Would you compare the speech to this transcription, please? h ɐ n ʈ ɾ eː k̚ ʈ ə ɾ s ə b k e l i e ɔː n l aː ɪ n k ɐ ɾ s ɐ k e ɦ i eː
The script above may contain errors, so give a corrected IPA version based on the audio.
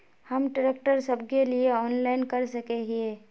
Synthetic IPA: h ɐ m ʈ ɾ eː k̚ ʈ ə ɾ s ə b k e l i e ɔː n l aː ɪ n k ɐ ɾ s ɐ k e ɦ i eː